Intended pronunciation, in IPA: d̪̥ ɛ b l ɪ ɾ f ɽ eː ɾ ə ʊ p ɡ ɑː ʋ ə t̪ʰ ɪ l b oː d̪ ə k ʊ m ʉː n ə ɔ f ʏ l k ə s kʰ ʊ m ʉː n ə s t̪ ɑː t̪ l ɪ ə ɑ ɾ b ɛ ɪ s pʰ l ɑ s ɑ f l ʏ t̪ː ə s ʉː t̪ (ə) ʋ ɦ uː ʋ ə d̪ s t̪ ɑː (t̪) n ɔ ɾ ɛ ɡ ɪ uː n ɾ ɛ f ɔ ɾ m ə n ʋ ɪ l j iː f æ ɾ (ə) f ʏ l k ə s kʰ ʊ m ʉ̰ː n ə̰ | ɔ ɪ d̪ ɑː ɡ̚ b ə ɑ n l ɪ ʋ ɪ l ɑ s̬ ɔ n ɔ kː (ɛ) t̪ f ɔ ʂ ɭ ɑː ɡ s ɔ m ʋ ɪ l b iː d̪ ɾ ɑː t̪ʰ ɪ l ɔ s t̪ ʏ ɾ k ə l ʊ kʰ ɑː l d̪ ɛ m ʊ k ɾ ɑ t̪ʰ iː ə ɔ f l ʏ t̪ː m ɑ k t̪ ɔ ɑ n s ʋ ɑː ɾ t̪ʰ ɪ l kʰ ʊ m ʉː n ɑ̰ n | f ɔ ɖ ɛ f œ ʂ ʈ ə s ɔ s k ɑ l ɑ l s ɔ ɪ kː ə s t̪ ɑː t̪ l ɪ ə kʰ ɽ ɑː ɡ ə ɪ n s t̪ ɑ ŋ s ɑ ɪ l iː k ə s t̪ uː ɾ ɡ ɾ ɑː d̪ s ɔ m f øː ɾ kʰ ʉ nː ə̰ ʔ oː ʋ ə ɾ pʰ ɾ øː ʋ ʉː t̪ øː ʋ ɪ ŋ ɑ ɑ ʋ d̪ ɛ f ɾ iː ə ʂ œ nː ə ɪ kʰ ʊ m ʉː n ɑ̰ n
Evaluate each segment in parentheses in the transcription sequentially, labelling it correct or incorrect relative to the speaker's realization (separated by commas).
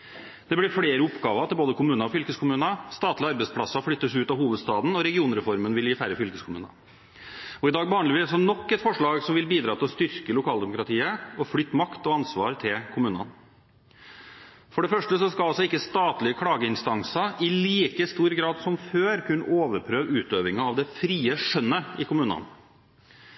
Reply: incorrect, incorrect, correct, correct